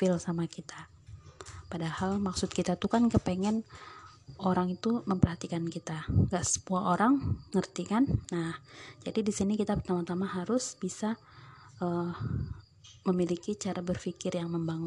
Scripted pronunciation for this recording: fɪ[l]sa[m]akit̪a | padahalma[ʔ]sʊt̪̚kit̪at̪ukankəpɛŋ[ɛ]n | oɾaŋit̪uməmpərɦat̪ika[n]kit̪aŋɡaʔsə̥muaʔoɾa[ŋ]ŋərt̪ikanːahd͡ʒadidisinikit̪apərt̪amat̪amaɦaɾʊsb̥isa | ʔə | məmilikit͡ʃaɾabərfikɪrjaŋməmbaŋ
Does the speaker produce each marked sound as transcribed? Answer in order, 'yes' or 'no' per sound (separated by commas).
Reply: yes, yes, no, yes, yes, yes